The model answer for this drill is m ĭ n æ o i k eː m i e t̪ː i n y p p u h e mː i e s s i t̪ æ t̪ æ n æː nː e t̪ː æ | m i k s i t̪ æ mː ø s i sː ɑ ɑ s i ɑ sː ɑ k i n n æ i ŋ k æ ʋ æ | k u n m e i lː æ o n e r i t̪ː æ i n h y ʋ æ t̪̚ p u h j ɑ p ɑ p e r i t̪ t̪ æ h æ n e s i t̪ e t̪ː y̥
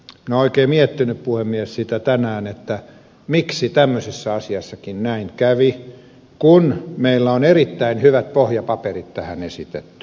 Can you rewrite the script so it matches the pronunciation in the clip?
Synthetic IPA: m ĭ n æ o i k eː m i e t̪ː i n y p p u h e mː i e s s i t̪ æ t̪ æ n æː n e t̪ː æ | m i k s i t̪ æ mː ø s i sː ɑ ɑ s i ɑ sː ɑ k i n n æ i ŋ k æ ʋ i | k u n m e i lː æ o n e r i t̪ː æ i n h y ʋ æ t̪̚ p o h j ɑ p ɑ p e r i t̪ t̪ æ h æ n e s i t̪ e t̪ː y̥